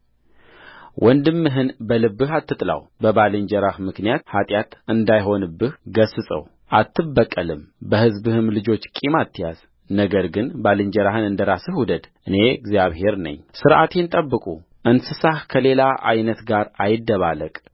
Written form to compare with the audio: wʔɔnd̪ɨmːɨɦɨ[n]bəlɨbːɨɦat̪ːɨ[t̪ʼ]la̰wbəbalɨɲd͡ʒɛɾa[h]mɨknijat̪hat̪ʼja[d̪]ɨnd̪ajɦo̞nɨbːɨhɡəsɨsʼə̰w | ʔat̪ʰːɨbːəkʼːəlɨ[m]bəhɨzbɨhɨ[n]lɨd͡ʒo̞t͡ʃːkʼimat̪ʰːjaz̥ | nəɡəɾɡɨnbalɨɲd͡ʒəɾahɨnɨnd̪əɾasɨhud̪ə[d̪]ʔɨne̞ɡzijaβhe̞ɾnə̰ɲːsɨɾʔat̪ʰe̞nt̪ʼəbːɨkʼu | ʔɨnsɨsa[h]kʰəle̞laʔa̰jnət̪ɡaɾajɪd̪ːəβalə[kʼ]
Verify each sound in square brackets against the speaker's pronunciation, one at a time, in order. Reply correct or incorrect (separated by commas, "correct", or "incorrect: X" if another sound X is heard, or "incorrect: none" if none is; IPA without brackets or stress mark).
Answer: correct, correct, correct, incorrect: t̪, correct, incorrect: m, correct, correct, correct